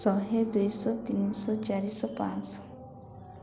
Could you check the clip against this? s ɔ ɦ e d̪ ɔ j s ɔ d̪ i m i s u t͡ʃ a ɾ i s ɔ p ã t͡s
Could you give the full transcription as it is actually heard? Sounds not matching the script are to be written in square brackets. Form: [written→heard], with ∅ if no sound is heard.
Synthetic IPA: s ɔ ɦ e d̪ [ɔ→u] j s ɔ [d̪→t̪] i [m→n] i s [u→ɔ] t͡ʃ a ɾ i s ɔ p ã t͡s